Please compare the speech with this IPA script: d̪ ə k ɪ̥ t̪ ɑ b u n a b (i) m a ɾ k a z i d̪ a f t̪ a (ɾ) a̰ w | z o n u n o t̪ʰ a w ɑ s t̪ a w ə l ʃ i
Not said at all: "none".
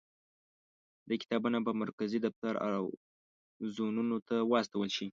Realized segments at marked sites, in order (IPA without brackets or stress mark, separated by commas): a, ɾ